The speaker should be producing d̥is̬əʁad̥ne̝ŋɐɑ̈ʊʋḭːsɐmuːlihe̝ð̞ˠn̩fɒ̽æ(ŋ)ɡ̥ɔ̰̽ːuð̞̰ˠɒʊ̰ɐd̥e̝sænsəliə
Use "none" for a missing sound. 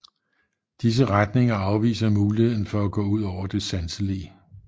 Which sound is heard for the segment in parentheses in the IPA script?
none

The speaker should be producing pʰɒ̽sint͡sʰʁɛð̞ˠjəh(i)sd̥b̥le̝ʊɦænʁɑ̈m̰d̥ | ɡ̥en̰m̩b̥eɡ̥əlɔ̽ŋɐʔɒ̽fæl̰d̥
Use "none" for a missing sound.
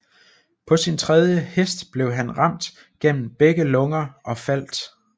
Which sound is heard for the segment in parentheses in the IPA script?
e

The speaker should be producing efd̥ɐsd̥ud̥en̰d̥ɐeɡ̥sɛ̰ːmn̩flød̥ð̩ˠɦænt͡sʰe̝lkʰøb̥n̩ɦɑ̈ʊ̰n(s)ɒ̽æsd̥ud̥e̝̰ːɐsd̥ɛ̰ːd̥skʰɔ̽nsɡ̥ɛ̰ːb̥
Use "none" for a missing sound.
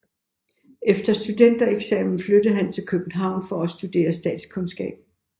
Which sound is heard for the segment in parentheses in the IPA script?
f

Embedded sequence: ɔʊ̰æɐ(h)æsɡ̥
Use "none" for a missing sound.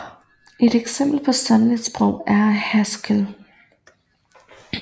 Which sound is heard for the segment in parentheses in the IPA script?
h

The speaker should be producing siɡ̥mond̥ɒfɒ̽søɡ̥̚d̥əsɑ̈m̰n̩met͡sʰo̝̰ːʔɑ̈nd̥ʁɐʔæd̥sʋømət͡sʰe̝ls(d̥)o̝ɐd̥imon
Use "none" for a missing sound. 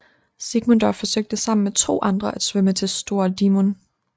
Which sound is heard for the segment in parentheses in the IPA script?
d̥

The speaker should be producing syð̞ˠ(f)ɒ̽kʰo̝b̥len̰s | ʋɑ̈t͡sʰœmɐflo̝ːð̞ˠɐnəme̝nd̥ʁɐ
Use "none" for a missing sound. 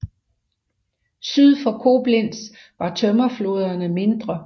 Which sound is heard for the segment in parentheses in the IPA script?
f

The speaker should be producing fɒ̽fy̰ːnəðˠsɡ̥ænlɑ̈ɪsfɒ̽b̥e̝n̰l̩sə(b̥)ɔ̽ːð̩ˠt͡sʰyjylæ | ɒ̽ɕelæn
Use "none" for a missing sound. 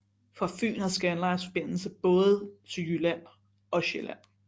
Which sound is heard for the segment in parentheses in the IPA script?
b̥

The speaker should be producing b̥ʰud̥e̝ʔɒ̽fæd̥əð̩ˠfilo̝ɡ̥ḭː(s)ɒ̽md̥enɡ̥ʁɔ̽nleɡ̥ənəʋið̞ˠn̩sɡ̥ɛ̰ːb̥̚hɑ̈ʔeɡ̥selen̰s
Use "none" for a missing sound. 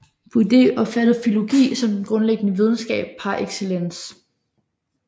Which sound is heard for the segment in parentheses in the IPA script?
s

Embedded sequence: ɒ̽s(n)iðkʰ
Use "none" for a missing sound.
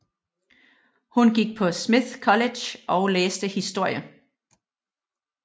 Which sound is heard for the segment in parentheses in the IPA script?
m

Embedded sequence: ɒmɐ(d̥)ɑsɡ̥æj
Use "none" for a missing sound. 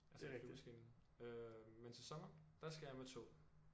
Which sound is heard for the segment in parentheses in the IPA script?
d̥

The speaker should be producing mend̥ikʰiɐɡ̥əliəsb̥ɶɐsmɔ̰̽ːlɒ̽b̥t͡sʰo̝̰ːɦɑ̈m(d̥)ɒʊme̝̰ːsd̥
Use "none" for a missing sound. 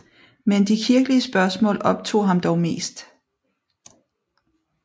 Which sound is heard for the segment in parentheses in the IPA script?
d̥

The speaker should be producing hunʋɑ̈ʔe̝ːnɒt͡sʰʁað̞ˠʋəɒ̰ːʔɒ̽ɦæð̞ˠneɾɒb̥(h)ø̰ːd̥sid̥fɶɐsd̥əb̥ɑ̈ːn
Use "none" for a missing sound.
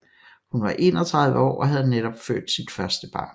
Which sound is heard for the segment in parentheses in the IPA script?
f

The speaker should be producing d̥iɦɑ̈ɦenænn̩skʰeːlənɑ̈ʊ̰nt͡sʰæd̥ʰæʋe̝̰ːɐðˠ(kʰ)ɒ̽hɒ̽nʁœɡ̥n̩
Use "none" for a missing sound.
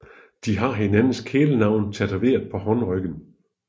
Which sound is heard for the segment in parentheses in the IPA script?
pʰ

